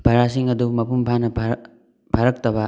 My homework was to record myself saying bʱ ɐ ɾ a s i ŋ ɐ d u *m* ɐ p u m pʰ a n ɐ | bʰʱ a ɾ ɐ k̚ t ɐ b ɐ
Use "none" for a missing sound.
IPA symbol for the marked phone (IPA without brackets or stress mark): m